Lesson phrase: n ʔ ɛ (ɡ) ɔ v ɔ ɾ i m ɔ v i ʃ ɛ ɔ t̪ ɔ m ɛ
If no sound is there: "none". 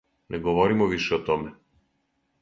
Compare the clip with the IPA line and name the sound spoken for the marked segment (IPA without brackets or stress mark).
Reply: ɡ